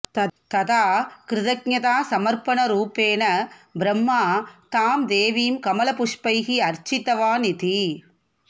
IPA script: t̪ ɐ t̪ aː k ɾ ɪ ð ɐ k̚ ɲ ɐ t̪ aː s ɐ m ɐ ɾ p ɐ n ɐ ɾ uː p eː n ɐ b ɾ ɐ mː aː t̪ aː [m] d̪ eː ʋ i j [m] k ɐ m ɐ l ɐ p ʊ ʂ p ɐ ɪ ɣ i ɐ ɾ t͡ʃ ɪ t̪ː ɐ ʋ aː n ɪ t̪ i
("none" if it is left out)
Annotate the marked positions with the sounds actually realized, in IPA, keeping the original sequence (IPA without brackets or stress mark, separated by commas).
m, m